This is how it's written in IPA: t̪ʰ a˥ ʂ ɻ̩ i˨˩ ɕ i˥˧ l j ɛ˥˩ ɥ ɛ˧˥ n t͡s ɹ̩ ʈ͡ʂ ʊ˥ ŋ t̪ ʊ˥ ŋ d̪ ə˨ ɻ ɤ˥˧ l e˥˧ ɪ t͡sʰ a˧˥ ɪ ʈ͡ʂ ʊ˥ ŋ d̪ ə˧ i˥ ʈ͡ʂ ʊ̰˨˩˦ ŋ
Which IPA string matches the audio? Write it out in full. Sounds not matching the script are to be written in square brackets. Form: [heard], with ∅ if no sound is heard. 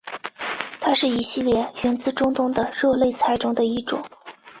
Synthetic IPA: t̪ʰ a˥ ʂ ɻ̩ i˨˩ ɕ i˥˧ l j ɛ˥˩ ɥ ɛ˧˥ n t͡s ɹ̩ ʈ͡ʂ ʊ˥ ŋ t̪ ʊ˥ ŋ d̪ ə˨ ɻ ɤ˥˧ l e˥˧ ɪ t͡sʰ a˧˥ ɪ ʈ͡ʂ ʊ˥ ŋ d̪ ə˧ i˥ ʈ͡ʂ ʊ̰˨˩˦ ŋ